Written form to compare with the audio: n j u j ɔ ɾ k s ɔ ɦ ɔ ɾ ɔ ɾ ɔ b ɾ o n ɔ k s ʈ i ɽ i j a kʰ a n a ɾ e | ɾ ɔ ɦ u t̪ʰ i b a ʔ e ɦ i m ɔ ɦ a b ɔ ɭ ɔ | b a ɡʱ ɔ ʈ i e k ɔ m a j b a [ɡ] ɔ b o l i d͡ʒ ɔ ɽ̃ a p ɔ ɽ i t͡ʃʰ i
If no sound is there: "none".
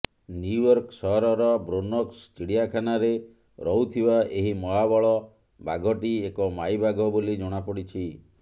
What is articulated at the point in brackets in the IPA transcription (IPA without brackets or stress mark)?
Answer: ɡ